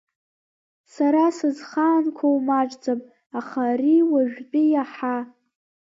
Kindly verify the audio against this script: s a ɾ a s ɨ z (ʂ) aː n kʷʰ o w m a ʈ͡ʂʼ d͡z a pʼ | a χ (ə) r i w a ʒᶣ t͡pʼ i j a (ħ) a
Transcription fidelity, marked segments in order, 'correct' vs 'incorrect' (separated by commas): incorrect, incorrect, correct